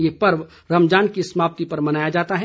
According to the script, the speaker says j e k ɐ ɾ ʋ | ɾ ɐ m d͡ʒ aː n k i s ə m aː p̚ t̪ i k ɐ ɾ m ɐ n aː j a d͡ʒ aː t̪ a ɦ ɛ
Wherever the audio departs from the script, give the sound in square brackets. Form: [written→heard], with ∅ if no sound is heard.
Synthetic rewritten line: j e [k→p] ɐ ɾ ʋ | ɾ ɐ m d͡ʒ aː n k i s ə m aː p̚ t̪ i [k→p] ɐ ɾ m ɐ n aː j a d͡ʒ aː t̪ a ɦ ɛ

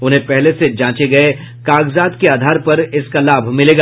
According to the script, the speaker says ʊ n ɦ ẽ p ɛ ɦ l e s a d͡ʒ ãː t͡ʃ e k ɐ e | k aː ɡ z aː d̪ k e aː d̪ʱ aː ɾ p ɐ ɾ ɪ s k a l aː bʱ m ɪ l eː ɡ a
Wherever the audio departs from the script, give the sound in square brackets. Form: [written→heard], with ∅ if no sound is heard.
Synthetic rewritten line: ʊ n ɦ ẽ p ɛ ɦ l e s [a→e] d͡ʒ ãː t͡ʃ e [k→ɡ] ɐ e | k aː ɡ z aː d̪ k e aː d̪ʱ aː ɾ p ɐ ɾ ɪ s k a l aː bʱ m ɪ l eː ɡ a

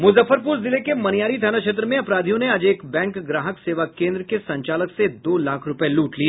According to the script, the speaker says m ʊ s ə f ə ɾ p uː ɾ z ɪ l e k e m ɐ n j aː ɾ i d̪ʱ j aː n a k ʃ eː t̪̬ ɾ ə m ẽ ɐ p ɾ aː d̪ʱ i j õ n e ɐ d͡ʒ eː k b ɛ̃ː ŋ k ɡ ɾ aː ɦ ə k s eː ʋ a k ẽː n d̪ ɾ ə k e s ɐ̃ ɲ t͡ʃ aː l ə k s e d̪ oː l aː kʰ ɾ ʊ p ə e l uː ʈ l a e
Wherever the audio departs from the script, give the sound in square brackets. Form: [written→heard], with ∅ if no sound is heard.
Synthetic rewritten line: m ʊ [s→z] ə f ə ɾ p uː ɾ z ɪ l e k e m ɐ n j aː ɾ i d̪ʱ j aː n a k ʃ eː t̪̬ ɾ ə m ẽ ɐ p ɾ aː d̪ʱ i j õ n e ɐ d͡ʒ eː k b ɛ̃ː ŋ k ɡ ɾ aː ɦ ə k s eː ʋ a k ẽː n d̪ ɾ ə k e s ɐ̃ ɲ t͡ʃ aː l ə k s e d̪ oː l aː kʰ ɾ ʊ p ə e l uː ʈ l [a→i] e

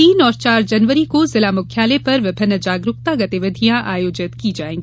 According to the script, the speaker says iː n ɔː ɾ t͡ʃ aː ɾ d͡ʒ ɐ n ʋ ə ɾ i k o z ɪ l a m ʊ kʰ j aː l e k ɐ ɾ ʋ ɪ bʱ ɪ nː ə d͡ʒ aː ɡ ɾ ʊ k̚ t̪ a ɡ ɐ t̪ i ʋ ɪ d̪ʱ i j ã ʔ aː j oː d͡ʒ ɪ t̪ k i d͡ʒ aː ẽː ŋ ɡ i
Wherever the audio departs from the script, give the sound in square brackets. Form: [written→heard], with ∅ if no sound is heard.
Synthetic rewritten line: iː n ɔː ɾ t͡ʃ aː ɾ d͡ʒ ɐ n ʋ ə ɾ i k o z ɪ l a m ʊ kʰ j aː l e [k→p] ɐ ɾ ʋ ɪ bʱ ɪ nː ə d͡ʒ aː ɡ ɾ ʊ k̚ t̪ a ɡ ɐ t̪ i ʋ ɪ d̪ʱ i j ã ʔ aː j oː d͡ʒ ɪ t̪ k i d͡ʒ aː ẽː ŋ ɡ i

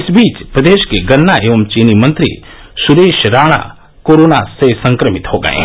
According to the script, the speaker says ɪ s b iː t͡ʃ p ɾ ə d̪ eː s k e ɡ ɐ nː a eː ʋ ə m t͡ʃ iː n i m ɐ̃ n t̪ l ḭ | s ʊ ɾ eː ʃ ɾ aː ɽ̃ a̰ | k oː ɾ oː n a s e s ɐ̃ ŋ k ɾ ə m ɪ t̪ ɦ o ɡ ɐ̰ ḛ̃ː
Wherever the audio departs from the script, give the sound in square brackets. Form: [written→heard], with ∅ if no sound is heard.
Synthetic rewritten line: ɪ s b iː t͡ʃ p ɾ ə d̪ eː [s→ʃ] k e ɡ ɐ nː a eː ʋ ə m t͡ʃ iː n i m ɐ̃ n t̪ [l→ɾ] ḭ | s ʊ ɾ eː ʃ ɾ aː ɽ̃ a̰ | k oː ɾ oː n a s e s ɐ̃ ŋ k ɾ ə m ɪ t̪ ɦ o ɡ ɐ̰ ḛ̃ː

